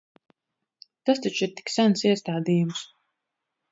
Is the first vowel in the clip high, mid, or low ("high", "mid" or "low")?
low